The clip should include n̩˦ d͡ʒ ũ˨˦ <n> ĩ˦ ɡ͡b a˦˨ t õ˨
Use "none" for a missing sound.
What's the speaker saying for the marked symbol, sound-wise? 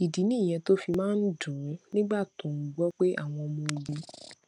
n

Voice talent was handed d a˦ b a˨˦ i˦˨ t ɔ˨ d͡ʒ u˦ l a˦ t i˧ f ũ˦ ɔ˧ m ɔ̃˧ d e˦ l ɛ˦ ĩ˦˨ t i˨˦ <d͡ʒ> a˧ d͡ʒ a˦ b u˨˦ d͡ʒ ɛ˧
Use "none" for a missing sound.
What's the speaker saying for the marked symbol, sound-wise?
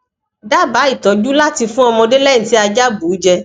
none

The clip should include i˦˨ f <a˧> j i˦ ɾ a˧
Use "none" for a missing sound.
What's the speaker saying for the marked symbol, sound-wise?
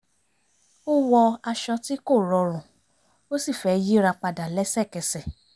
ɛ˧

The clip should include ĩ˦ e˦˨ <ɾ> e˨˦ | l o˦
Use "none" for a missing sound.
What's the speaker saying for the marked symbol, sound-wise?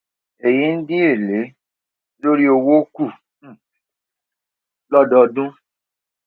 l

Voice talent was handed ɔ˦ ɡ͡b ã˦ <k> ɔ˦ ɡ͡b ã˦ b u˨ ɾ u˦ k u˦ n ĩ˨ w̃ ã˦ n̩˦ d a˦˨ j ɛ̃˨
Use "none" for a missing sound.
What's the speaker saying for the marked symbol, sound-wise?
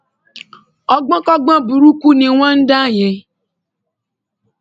k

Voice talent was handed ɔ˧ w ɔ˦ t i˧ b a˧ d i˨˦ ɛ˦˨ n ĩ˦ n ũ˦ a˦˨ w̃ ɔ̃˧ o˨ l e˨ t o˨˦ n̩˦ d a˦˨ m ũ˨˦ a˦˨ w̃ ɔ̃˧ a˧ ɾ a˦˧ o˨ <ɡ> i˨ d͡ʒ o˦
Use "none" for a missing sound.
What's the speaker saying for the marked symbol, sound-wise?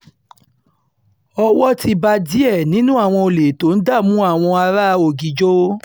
ɡ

